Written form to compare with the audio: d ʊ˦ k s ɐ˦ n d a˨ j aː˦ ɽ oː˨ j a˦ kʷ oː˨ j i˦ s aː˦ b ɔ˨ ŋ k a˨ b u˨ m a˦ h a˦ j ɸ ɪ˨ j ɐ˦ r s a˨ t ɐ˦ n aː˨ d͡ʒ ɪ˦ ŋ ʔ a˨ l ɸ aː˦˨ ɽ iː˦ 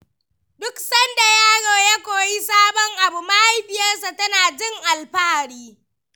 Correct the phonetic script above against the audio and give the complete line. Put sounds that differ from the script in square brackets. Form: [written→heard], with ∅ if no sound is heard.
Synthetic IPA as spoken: d ʊ˦ k s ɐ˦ n d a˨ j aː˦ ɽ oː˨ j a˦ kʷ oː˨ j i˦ s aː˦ b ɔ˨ ŋ [k→ʔ] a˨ b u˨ m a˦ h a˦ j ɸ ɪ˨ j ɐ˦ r s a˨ t ɐ˦ n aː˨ d͡ʒ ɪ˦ ŋ ʔ a˨ l ɸ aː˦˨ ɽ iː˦